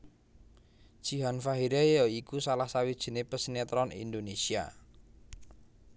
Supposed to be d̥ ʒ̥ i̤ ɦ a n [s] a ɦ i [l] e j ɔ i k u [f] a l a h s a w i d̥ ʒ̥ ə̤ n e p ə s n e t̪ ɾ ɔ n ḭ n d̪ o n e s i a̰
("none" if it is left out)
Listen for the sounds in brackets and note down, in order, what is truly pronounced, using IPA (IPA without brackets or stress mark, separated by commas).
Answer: f, ɾ, s